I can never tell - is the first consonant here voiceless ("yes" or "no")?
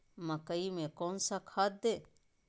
no